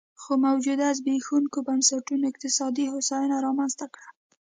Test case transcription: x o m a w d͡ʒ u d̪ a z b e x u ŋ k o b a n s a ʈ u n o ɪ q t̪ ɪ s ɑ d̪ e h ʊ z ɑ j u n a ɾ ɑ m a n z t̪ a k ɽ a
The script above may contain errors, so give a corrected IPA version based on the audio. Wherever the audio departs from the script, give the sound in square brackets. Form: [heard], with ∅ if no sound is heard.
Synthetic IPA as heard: x o m a w d͡ʒ u d̪ a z b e x u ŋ k o b a n s a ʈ u n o ɪ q t̪ ɪ s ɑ d̪ [i] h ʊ [s] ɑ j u n a ɾ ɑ m a n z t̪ a k ɽ a